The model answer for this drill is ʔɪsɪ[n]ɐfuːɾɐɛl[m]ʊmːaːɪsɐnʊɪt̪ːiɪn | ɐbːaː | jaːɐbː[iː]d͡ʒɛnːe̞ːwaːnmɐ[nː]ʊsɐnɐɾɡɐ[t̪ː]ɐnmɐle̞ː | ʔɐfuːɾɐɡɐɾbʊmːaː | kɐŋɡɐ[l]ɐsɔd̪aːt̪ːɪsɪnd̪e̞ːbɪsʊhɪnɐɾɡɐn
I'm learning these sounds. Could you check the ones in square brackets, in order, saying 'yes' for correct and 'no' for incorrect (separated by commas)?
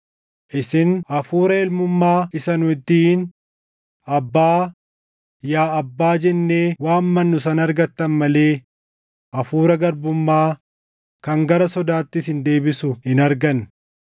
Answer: yes, yes, no, yes, yes, no